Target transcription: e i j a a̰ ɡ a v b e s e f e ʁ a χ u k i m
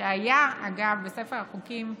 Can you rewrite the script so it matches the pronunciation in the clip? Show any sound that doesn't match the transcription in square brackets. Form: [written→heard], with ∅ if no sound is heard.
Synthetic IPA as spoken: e [i→a] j a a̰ ɡ a v b e s e f e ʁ a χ u k i m